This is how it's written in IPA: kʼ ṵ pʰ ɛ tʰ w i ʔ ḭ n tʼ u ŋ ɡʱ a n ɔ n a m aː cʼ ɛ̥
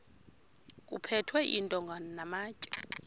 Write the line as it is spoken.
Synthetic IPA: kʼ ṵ pʰ ɛ tʰ w ɛ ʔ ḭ n tʼ ɔ ŋ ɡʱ a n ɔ n a m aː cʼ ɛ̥